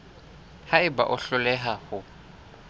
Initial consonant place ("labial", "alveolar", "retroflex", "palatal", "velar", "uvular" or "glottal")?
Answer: glottal